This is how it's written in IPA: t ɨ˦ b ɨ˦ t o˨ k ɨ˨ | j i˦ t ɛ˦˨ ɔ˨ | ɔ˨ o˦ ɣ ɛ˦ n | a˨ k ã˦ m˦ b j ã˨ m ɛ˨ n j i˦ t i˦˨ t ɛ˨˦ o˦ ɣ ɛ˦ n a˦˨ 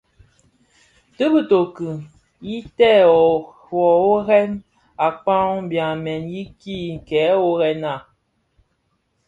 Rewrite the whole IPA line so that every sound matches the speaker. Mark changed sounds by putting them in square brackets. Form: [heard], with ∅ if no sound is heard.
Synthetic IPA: t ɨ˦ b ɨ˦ t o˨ k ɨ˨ | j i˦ t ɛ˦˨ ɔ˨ | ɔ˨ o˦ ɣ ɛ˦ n | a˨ [k͡p] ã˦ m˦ b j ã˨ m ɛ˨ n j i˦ [k] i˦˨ [k] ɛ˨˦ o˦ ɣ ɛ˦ n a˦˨